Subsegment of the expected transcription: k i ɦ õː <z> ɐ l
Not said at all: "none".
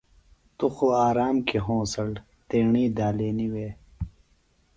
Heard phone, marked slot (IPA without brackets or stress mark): s